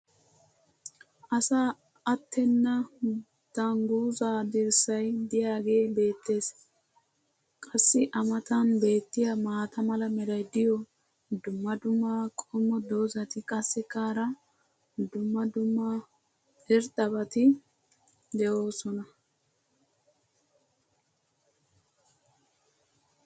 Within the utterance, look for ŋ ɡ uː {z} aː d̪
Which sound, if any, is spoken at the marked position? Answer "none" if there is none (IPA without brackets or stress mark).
z